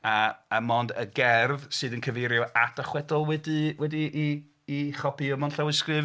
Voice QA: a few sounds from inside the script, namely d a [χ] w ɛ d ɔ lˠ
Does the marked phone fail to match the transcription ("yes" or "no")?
no